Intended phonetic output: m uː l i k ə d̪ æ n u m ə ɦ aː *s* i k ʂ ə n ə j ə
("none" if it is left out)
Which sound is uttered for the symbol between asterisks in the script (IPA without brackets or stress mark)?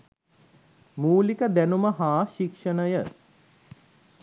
ʃ